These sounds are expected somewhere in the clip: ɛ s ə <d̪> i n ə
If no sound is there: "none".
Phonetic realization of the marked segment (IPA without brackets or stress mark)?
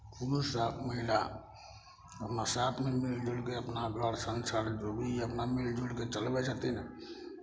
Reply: t̪